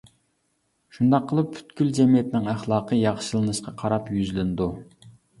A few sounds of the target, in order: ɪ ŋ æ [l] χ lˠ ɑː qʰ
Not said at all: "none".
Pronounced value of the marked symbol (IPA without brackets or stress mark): none